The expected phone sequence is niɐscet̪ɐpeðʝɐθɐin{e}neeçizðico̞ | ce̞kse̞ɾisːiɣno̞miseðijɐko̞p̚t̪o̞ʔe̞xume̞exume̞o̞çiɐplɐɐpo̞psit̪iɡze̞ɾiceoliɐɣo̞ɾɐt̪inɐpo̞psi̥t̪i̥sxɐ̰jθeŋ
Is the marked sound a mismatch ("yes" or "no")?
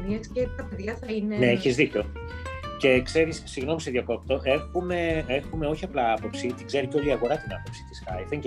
no